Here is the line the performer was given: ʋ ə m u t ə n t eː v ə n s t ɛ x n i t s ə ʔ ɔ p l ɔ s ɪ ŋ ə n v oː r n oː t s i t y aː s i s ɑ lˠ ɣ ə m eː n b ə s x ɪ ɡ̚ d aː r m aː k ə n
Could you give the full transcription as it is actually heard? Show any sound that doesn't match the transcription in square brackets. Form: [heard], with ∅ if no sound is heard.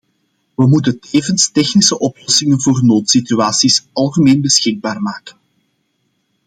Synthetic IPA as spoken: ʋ ə m u t ə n t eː v ə n s t ɛ x n i [∅] s ə ʔ ɔ p l ɔ s ɪ ŋ ə n v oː r n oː t s i t y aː s i s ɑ lˠ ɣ ə m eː n b ə s x ɪ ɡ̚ [b] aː r m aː k ə n